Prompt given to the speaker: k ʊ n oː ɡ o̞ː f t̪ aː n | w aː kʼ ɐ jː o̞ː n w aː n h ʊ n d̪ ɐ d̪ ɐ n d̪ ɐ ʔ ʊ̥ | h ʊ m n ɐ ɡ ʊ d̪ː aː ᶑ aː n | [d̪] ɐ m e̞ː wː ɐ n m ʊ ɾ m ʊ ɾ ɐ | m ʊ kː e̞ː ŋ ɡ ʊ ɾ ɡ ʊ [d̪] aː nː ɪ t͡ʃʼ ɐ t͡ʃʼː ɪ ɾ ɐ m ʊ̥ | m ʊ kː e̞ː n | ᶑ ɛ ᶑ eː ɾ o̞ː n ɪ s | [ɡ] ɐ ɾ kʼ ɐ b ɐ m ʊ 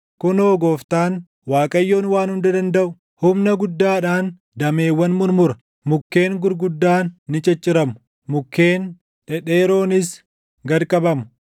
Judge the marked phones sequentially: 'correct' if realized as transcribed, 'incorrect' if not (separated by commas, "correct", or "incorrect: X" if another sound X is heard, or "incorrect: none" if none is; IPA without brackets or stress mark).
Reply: correct, incorrect: d̪ː, correct